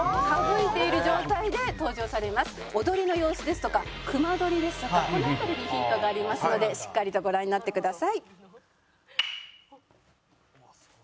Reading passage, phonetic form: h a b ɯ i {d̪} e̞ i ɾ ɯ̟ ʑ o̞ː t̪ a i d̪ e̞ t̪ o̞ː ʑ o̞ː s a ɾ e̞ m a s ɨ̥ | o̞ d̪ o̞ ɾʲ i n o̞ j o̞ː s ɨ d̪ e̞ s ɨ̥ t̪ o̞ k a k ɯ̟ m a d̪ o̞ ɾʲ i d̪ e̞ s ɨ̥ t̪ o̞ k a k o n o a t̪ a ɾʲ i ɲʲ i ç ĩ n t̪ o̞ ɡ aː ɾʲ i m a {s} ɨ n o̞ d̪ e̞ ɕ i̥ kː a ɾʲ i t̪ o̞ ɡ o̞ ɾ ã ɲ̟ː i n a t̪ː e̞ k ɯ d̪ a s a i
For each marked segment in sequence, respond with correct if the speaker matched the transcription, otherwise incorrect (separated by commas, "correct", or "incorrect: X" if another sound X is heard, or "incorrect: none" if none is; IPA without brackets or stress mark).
incorrect: t̪, correct